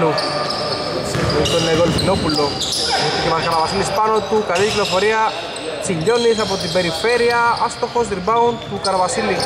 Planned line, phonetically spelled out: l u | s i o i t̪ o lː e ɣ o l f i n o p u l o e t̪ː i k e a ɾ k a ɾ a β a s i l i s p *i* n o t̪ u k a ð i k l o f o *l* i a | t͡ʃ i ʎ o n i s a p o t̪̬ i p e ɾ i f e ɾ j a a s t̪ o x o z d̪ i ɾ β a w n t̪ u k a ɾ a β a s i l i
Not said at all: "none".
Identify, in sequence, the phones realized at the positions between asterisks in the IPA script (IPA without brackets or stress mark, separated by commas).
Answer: a, ɾ